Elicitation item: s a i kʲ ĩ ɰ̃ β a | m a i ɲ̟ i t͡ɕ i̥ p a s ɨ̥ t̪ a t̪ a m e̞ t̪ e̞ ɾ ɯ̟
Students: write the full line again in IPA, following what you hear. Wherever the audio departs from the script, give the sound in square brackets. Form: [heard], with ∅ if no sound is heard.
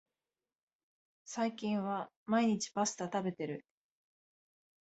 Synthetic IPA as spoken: s a i kʲ ĩ ɰ̃ β a | m a i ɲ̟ i t͡ɕ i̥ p a s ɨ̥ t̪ a t̪ a [b] e̞ t̪ e̞ ɾ ɯ̟

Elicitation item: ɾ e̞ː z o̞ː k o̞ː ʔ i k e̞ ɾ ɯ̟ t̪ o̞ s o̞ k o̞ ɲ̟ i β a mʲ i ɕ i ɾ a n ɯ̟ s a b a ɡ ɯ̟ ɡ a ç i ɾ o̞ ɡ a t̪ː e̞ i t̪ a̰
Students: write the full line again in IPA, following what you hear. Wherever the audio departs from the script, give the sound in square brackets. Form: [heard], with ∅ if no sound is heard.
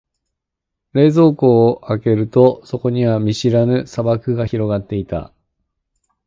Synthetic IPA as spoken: ɾ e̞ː z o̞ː k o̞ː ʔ [a] k e̞ ɾ ɯ̟ t̪ o̞ s o̞ k o̞ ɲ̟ i β a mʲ i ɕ i ɾ a n ɯ̟ s a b a [k] ɯ̟ ɡ a ç i ɾ o̞ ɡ a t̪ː e̞ i t̪ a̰

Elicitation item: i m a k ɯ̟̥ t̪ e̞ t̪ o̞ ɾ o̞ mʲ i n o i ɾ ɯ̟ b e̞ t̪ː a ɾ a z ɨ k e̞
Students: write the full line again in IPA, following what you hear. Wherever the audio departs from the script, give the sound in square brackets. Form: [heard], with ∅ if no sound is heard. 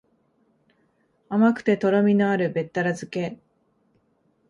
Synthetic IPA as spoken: [a] m a k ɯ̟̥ t̪ e̞ t̪ o̞ ɾ o̞ mʲ i n o [a] ɾ ɯ̟ b e̞ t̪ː a ɾ a z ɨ k e̞

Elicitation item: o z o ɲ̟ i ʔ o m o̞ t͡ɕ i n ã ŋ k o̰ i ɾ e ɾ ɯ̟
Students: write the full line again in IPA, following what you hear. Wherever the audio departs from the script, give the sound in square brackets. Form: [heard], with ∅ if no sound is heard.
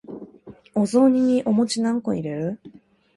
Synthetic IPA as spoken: o z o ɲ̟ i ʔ o m o̞ t͡ɕ i n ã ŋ k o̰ i ɾ e ɾ ɯ̟

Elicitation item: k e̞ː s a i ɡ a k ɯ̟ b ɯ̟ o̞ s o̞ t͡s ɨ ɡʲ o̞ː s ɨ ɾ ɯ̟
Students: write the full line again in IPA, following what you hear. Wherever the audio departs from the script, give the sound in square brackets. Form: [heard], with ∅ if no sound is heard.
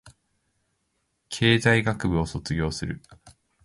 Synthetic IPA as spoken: [kʰ] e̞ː [z] a i ɡ a k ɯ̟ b ɯ̟ o̞ s o̞ t͡s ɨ ɡʲ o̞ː s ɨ ɾ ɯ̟

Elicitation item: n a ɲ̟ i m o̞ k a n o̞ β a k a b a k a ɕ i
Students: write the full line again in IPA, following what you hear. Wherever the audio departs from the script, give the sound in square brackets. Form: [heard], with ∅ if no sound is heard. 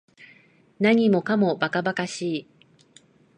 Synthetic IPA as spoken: n a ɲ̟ i m o̞ k a [m] o̞ [b] a k a b a k a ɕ [iː]

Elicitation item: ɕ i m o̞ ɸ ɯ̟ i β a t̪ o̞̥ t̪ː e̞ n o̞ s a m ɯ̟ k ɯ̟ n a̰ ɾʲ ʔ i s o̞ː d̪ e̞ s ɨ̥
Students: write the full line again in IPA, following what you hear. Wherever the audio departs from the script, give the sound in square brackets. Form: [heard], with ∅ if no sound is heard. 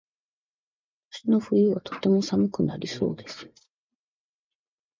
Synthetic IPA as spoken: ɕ i [n] o̞ ɸ ɯ̟ i β a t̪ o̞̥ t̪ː e̞ [m] o̞ s a m ɯ̟ k ɯ̟ n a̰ ɾʲ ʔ i s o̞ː d̪ e̞ s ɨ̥

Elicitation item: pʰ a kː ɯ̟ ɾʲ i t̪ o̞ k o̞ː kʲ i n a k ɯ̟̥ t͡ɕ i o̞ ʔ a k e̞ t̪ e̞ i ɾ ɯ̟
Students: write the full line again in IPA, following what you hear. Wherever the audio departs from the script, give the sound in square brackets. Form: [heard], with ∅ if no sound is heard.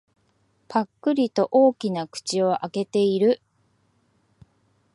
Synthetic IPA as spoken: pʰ a kː ɯ̟ ɾʲ i t̪ o̞ [ʔ] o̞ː kʲ i n a k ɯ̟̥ t͡ɕ i o̞ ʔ a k e̞ t̪ e̞ i ɾ ɯ̟

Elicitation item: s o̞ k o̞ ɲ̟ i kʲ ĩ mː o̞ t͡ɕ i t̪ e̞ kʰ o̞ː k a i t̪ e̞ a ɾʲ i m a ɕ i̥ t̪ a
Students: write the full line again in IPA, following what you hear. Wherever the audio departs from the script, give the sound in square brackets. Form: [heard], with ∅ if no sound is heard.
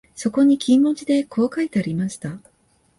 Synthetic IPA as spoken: s o̞ k o̞ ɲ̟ i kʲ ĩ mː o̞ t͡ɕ i [d̪] e̞ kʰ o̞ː k a i t̪ e̞ a ɾʲ i m a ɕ i̥ t̪ a

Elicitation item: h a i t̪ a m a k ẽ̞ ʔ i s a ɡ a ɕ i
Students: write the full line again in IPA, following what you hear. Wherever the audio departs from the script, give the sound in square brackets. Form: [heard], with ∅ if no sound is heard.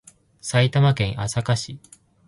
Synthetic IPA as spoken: [s] a i t̪ a m a k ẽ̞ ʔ [a] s a [k] a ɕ i

